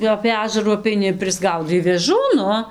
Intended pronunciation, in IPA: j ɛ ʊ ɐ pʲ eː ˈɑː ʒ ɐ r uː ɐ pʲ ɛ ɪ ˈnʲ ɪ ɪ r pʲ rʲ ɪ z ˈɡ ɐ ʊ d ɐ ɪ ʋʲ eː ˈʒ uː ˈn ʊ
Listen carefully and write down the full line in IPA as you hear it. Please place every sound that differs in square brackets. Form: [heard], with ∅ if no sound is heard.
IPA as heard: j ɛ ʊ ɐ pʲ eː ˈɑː ʒ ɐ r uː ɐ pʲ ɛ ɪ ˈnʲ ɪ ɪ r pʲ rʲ ɪ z ˈɡ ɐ ʊ d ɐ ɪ ʋʲ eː ˈʒ uː ˈn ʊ